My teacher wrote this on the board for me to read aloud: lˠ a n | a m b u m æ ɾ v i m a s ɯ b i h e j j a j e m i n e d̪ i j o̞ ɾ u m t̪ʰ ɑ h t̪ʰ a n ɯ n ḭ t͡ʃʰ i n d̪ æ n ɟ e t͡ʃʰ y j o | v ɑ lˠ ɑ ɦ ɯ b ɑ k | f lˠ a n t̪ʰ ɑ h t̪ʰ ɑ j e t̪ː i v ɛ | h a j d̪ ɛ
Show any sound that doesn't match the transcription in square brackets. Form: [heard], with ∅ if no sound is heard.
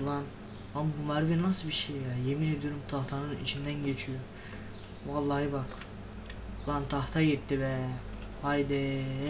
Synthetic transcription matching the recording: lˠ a n | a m b u m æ ɾ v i [n] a s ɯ b i [ʃ] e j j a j e m i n e d̪ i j o̞ ɾ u m t̪ʰ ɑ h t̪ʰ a n ɯ n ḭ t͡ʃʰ i n d̪ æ n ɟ e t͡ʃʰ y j o | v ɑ [lˠː] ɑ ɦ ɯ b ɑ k | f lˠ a n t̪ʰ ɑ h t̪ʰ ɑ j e t̪ː i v ɛ | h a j d̪ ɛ